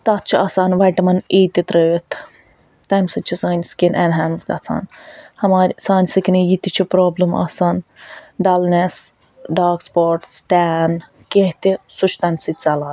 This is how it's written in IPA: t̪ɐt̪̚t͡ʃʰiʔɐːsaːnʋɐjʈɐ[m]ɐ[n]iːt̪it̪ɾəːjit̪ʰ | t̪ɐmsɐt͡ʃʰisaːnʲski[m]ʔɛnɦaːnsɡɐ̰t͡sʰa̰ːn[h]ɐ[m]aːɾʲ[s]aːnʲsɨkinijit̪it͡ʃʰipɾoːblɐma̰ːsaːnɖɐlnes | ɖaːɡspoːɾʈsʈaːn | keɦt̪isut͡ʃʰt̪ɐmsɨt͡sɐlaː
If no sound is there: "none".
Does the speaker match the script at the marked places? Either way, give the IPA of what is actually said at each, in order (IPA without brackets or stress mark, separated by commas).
m, n, n, h, m, s